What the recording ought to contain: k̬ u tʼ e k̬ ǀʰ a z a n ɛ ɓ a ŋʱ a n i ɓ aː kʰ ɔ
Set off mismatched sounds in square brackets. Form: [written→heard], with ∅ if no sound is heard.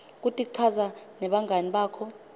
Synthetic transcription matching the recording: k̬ u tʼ [e→i] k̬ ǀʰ a z a n ɛ ɓ a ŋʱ a n i ɓ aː kʰ ɔ